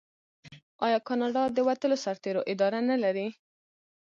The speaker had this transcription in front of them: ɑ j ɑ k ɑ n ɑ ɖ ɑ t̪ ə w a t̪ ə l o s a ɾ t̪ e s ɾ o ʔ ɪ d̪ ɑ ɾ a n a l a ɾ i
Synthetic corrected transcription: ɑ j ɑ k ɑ n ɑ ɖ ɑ d̪ ə w a t̪ ə l o s a ɾ t̪ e ɾ o ʔ ɪ d̪ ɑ ɾ a n a l a ɾ i